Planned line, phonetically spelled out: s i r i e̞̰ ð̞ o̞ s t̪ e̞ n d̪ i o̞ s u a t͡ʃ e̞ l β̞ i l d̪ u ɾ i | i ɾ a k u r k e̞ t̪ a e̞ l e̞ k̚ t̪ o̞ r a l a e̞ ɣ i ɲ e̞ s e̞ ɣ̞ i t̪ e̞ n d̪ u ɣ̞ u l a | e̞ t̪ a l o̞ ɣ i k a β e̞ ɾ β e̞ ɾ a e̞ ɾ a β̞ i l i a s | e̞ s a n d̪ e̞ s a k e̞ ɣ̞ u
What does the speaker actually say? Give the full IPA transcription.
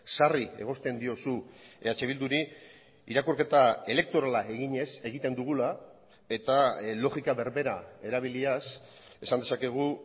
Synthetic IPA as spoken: s a r i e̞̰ ɣ̞ o̞ s t̪ e̞ n d̪ i o̞ s u a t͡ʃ e̞ β̞ i l d̪ u ɾ i | i ɾ a k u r k e̞ t̪ a e̞ l e̞ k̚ t̪ o̞ ɾ a l a e̞ ɣ i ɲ e̞ s e̞ ɣ̞ i t̪ e̞ n d̪ u ɣ̞ u l a | e̞ t̪ a l o̞ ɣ i k a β e̞ ɾ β e̞ ɾ a e̞ ɾ a β̞ i l i a s | e̞ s a n d̪ e̞ s a k e̞ ɣ̞ u

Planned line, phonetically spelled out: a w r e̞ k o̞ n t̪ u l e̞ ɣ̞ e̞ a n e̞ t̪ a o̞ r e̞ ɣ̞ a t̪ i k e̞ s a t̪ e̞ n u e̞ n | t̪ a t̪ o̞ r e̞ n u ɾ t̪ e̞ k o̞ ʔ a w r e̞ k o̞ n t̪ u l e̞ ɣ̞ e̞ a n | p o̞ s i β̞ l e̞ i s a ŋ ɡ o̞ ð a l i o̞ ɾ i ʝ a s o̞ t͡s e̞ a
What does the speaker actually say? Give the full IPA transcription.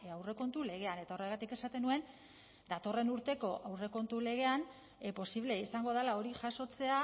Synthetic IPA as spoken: a w r e̞ k o̞ n t̪ u l e̞ ɣ̞ e̞ a n e̞ t̪ a o̞ r e̞ ɣ̞ a t̪ i k e̞ s a t̪ e̞ n u e̞ n | d̪ a t̪ o̞ r e̞ n u ɾ t̪ e̞ k o̞ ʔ a w r e̞ k o̞ n t̪ u l e̞ ɣ̞ e̞ a n | p o̞ s i β̞ l e̞ i s a ŋ ɡ o̞ ð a l a o̞ ɾ i ʝ a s o̞ t͡s e̞ a

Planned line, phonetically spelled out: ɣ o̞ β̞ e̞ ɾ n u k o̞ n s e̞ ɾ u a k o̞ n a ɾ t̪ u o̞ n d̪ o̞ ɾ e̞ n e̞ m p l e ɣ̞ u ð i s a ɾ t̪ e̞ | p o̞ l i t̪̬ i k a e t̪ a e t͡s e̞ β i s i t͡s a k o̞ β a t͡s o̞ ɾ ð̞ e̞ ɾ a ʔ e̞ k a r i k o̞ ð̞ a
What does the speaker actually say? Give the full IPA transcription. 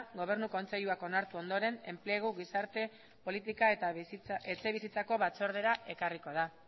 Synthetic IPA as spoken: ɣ o̞ β̞ e̞ ɾ n u k o̞ n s e̞ ʎ u a k o̞ n a ɾ t̪ u o̞ n d̪ o̞ ɾ e̞ n e̞ m p l e ɣ̞ u ɣ i s a ɾ t̪ e̞ | p o̞ l i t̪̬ i k a e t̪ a e t͡s e̞ β i s i t͡s a k o̞ β a t͡s o̞ ɾ ð̞ e̞ ɾ a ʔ e̞ k a r i k o̞ ð̞ a

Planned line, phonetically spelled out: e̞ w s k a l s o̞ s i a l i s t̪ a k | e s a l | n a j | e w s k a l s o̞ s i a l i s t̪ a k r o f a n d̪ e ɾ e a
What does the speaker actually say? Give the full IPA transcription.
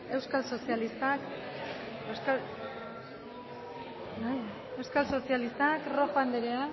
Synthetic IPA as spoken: e̞ w s k a l s o̞ s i a l i s t̪ a k | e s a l | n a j | e w s k a l s o̞ s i a l i s t̪ a k r o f a n d̪ e ɾ e a

